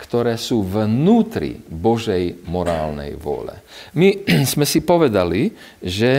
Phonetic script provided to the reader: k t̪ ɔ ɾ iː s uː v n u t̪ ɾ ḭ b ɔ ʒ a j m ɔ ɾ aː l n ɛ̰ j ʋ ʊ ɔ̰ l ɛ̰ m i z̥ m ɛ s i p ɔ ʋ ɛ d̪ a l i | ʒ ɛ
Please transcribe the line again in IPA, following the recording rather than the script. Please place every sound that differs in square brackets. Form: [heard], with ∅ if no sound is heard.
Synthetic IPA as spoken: k t̪ ɔ ɾ [ɛː] s uː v n [uː] t̪ ɾ ḭ b ɔ ʒ [ɛ] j m ɔ ɾ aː l n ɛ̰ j ʋ ʊ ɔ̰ l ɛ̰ m i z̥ m ɛ s i p ɔ ʋ ɛ d̪ a l i | ʒ ɛ